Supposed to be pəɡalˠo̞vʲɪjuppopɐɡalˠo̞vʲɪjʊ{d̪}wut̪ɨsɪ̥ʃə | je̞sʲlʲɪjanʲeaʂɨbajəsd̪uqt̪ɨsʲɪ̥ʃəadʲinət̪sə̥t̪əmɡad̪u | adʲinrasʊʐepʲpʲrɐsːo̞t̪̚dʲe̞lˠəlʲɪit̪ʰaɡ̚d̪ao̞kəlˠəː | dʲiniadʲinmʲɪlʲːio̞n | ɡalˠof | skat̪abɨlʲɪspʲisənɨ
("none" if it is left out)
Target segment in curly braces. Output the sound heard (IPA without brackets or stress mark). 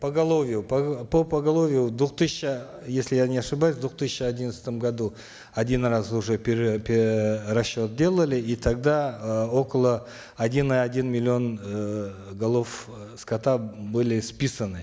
d̪